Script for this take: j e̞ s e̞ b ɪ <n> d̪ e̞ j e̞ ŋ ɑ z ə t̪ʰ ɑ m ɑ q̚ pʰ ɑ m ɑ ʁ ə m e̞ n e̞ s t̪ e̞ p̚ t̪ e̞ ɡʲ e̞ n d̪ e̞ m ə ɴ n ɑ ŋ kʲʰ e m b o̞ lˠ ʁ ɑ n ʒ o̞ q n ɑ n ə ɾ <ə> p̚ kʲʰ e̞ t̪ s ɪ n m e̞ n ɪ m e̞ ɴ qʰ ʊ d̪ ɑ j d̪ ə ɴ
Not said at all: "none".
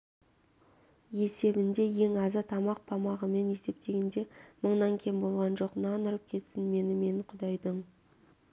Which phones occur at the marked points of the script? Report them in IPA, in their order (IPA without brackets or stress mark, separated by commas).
n, ə